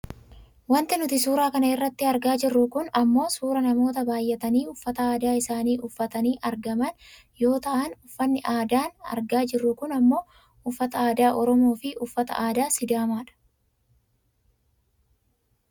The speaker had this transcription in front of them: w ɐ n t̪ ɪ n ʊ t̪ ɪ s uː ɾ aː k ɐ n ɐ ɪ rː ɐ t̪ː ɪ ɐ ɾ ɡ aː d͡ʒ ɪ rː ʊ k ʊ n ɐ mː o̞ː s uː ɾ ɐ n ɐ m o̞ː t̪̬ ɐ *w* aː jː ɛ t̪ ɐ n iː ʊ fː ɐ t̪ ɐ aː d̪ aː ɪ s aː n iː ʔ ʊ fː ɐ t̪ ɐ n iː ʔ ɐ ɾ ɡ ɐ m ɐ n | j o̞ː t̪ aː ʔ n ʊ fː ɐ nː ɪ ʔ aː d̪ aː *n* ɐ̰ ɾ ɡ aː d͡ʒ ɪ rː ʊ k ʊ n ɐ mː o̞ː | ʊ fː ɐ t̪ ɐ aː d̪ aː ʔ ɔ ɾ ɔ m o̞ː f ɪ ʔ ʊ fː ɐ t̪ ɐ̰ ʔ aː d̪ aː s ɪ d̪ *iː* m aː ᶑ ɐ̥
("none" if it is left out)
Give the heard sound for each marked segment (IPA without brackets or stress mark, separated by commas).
b, n, aː